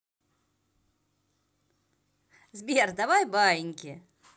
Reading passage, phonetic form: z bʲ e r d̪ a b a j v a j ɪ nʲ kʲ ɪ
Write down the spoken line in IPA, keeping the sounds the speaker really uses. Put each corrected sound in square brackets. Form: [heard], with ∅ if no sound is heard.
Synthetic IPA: z bʲ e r d̪ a [v] a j [b] a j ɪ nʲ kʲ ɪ